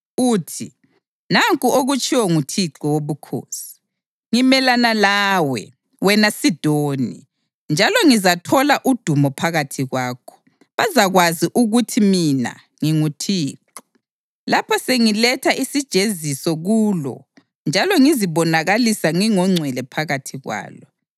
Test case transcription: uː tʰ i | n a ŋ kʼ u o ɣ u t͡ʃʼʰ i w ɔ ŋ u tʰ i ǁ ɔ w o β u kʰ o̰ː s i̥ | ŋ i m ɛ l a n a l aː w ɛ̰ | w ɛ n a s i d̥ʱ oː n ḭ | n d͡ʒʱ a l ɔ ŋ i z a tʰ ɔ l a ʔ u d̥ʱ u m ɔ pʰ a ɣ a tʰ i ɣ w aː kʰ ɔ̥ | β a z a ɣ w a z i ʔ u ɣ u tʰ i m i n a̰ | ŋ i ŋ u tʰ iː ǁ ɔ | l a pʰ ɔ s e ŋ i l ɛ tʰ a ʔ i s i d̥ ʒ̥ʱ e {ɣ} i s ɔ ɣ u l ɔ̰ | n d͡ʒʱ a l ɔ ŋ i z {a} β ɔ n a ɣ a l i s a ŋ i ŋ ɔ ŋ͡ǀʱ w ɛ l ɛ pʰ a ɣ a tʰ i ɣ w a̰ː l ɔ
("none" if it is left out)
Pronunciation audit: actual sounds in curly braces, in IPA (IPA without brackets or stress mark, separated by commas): z, i